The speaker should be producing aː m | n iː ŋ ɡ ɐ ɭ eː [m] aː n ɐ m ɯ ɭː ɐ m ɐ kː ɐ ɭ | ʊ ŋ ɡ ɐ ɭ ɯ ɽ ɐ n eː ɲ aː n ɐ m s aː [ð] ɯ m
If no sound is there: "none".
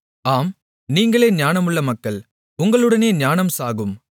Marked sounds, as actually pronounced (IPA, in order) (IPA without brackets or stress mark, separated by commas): ɲ, ɣ